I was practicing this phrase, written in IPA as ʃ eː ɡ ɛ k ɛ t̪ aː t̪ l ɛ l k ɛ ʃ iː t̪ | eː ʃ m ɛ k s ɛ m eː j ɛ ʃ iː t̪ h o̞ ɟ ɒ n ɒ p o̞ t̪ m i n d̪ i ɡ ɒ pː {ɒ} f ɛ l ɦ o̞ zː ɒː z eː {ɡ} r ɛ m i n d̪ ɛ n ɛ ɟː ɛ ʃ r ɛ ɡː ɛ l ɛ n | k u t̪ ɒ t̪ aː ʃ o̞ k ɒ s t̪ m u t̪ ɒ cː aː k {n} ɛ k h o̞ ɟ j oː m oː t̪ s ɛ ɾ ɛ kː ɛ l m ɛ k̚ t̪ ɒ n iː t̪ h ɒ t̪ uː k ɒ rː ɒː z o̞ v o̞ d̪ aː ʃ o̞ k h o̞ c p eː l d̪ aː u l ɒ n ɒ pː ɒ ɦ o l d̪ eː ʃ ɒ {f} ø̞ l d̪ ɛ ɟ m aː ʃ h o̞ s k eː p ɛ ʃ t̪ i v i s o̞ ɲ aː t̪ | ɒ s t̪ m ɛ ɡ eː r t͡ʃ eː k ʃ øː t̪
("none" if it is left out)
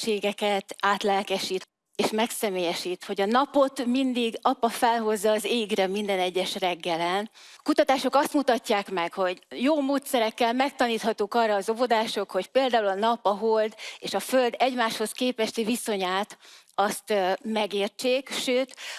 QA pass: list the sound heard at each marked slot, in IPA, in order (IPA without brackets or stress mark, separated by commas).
ɒ, ɡ, m, f